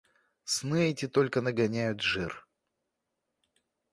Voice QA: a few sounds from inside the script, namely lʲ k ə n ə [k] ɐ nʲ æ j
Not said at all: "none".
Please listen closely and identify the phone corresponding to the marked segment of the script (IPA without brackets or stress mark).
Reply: ɡ